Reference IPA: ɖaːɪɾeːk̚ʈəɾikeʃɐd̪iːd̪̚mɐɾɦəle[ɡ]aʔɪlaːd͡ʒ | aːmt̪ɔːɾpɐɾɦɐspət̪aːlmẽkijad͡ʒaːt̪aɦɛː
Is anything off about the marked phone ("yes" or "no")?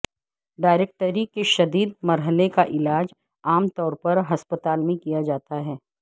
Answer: yes